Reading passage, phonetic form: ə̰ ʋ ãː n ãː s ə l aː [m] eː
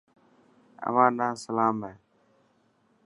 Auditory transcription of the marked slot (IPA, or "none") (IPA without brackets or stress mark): m